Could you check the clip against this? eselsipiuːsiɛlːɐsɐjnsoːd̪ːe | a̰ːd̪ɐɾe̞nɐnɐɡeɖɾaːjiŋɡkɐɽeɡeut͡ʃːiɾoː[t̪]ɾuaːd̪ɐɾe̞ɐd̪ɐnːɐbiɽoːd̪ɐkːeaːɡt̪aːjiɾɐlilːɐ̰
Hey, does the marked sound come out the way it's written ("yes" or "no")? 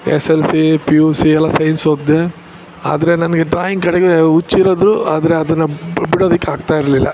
no